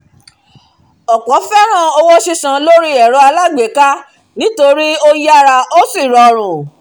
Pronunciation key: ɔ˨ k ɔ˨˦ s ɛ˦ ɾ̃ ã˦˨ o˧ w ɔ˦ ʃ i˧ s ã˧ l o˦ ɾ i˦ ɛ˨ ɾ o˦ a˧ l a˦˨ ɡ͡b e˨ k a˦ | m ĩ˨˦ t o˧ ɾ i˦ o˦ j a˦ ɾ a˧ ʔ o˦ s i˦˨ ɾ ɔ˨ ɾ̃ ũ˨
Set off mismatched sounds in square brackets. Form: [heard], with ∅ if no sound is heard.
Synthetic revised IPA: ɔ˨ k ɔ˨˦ [f] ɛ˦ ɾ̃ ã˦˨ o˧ w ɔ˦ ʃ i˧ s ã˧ l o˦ ɾ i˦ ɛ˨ ɾ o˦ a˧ l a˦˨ ɡ͡b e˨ k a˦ | [n] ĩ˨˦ t o˧ ɾ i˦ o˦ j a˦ ɾ a˧ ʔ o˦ s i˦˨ ɾ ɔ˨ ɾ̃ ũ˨